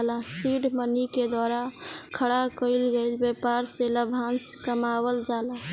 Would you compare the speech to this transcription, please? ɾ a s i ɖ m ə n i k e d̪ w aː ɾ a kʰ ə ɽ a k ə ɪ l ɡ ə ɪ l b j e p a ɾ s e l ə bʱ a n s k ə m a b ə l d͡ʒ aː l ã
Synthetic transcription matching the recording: l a s i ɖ m ə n i k e d̪ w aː ɾ a kʰ ə ɽ a k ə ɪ l ɡ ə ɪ l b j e p a ɾ s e l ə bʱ a n s k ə m a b ə l d͡ʒ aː l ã

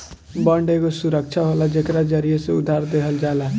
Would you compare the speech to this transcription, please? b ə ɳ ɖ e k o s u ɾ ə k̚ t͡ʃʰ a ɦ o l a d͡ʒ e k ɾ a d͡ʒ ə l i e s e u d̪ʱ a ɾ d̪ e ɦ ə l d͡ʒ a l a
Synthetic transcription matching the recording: b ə ɳ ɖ e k o s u ɾ ə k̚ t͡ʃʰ a ɦ o l a d͡ʒ e k ɾ a d͡ʒ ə ɾ i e s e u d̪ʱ a ɾ d̪ e ɦ ə l d͡ʒ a l a

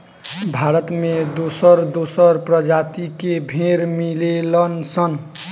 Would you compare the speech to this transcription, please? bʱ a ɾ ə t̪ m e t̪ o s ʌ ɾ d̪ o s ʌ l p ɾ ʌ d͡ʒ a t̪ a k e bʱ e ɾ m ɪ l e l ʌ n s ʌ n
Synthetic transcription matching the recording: bʱ a ɾ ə t̪ m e d̪ o s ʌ ɾ d̪ o s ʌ ɾ p ɾ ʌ d͡ʒ a t̪ i k e bʱ e ɾ m i l e l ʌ n s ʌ n

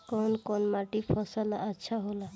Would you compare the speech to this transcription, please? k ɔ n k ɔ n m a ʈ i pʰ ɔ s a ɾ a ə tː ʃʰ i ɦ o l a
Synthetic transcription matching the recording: k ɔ n k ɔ n m a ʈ i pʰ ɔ s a l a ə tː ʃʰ a ɦ o l a

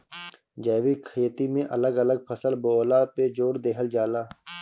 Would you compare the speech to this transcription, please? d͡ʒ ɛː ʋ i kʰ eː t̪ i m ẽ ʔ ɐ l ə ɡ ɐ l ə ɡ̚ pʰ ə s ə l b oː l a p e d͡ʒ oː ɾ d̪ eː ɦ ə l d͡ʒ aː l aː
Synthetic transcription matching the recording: d͡ʒ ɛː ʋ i kʰ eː t̪ i m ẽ ʔ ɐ l ə ɡ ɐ l ə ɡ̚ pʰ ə s ə l b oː l a p e d͡ʒ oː ɾ d̪ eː ɦ ə l d͡ʒ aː l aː

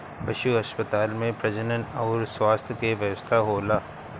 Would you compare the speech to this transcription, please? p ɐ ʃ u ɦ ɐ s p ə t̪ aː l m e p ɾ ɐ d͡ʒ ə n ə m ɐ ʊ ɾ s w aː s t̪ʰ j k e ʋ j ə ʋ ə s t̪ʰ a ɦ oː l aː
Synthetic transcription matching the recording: p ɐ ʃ u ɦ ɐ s p ə t̪ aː l m ẽ p ɾ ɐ d͡ʒ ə n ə n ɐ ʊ ɾ s w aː s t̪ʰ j k e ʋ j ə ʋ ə s t̪ʰ a ɦ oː l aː

